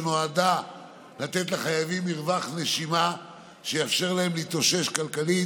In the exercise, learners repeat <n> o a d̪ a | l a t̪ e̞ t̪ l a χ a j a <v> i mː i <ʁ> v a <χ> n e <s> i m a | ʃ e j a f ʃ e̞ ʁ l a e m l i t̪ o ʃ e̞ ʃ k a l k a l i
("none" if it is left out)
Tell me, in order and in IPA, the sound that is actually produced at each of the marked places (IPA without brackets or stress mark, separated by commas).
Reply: n, v, ʁ, χ, ʃ